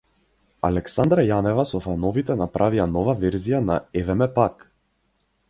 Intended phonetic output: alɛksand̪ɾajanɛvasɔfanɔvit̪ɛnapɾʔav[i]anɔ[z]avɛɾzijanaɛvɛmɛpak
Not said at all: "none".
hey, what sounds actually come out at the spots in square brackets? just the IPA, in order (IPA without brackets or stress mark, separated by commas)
i, v